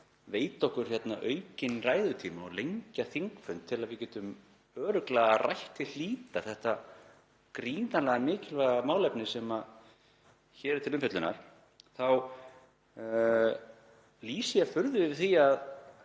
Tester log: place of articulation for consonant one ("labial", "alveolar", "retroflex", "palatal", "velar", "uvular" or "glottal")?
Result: labial